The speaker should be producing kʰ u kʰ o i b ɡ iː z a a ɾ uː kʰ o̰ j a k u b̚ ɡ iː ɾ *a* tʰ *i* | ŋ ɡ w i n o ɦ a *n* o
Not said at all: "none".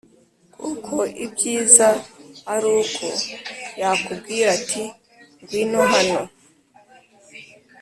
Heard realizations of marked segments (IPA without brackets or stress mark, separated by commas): a, i, n